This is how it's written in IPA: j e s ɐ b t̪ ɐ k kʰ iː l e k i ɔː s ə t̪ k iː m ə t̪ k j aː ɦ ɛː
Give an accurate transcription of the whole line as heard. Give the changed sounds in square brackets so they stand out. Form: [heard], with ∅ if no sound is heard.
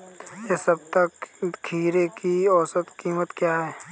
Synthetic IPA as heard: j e s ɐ b t̪ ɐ k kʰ iː [ɾ] e k i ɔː s ə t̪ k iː m ə t̪ k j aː ɦ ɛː